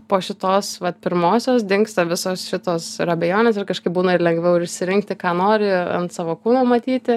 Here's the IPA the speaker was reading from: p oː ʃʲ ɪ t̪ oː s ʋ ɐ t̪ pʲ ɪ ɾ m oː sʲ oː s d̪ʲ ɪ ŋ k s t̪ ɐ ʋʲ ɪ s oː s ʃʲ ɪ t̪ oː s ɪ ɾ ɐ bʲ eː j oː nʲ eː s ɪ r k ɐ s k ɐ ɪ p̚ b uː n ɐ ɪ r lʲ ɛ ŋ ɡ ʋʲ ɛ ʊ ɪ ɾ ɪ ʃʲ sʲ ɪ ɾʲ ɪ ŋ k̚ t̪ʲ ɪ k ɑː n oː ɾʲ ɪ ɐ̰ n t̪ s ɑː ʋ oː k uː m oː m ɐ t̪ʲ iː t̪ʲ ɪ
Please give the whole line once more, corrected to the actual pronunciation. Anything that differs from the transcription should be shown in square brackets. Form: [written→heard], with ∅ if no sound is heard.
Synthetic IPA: p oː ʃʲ ɪ t̪ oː s ʋ ɐ t̪ pʲ ɪ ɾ m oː sʲ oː s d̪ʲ ɪ ŋ k s t̪ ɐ ʋʲ ɪ s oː s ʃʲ ɪ t̪ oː s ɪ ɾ ɐ bʲ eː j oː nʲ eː s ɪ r k ɐ [s→ʃ] k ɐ ɪ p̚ b uː n ɐ ɪ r lʲ ɛ ŋ ɡ ʋʲ ɛ ʊ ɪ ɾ ɪ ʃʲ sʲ ɪ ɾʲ ɪ ŋ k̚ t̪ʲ ɪ k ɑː n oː ɾʲ ɪ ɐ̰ n t̪ s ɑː ʋ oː k uː [m→n] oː m ɐ t̪ʲ iː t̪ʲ ɪ